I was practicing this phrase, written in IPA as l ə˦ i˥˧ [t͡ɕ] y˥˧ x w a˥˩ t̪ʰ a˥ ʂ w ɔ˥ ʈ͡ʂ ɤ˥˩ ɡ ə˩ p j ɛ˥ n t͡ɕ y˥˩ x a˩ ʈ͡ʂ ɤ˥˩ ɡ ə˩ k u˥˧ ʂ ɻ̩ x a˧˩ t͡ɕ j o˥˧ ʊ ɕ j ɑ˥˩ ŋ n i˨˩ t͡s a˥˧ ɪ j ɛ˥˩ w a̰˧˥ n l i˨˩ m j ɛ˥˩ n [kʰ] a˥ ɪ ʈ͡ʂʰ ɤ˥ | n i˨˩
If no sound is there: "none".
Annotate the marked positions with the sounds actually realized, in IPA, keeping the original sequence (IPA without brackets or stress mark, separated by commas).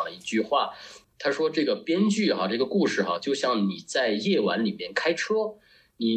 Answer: t͡ɕ, kʰ